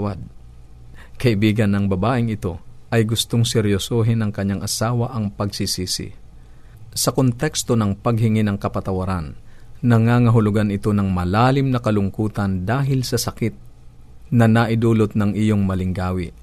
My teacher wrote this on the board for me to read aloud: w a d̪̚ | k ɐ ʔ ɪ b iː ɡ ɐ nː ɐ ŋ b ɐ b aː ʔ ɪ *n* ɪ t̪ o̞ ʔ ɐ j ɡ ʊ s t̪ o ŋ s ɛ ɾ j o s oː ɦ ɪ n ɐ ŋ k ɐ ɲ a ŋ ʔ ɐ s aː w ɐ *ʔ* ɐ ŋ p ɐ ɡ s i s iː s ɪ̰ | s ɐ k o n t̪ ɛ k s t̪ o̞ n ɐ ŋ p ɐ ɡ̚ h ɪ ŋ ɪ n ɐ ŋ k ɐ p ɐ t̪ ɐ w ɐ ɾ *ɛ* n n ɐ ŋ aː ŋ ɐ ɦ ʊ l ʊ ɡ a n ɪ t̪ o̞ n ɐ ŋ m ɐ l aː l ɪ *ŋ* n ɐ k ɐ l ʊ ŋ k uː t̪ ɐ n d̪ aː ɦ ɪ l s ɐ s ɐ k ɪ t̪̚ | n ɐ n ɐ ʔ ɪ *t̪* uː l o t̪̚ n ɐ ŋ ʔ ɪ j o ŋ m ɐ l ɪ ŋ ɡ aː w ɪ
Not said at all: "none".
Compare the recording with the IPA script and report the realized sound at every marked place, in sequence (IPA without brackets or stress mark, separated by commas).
ŋ, ʔ, a, m, d̪